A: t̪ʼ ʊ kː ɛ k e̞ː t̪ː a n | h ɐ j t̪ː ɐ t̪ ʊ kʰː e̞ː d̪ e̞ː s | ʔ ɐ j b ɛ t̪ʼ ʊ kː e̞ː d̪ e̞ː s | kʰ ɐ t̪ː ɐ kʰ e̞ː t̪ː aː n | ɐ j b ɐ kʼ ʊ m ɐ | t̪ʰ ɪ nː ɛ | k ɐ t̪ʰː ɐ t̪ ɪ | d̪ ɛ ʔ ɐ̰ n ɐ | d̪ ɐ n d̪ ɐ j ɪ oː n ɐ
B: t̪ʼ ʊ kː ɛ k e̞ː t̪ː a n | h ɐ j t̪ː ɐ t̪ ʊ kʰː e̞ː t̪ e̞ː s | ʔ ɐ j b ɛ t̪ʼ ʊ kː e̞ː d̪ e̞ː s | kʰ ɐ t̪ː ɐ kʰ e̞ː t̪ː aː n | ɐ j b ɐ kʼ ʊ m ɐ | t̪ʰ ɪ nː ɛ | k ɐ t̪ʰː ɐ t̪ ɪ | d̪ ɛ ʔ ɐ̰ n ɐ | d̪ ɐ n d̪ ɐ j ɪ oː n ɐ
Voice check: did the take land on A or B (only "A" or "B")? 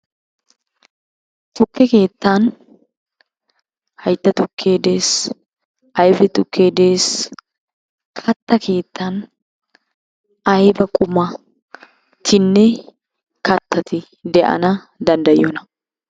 A